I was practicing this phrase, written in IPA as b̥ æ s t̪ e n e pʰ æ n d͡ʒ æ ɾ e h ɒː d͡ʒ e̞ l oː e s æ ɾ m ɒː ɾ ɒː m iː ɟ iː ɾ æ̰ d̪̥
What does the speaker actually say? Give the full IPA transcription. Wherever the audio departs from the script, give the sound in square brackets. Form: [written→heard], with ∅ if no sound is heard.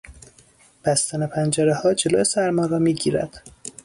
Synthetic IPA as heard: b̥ æ s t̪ [e→æ] n e pʰ æ n d͡ʒ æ ɾ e h ɒː d͡ʒ e̞ l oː e s æ ɾ m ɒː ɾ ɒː m iː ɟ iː ɾ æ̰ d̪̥